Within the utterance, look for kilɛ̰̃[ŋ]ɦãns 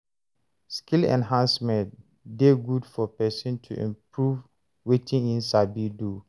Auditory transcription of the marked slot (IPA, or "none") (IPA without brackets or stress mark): n